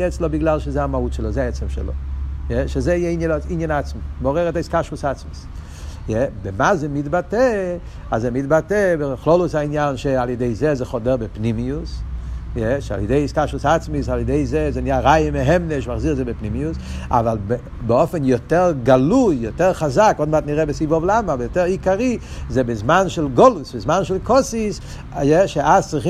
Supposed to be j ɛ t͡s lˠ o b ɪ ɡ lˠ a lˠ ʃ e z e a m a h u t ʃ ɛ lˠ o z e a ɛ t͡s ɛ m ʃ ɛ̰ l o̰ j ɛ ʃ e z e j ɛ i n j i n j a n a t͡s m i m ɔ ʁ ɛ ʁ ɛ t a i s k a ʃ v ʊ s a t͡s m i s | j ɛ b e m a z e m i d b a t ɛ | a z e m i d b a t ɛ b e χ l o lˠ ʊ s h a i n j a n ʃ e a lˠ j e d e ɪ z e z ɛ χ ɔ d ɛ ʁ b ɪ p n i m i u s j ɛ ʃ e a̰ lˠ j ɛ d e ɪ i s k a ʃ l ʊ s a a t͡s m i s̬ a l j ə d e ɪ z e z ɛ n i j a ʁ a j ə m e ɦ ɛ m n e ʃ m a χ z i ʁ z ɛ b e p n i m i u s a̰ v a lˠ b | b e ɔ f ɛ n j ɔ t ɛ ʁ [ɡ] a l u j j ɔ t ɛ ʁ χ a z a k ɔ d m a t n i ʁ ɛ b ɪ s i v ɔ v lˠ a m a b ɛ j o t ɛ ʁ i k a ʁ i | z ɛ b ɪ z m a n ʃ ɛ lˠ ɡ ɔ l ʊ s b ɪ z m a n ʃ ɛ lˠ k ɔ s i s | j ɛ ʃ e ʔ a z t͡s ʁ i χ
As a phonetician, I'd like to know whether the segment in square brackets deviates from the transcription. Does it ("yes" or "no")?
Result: no